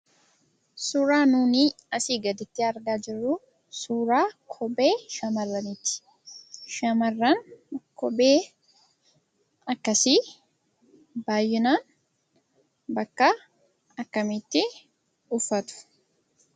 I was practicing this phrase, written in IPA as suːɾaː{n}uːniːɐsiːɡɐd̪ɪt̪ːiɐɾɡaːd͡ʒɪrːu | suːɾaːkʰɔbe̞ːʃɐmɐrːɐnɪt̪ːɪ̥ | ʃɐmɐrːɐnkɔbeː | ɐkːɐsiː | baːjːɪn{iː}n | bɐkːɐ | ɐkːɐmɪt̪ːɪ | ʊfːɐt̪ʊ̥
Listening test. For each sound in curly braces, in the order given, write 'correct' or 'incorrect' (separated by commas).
correct, incorrect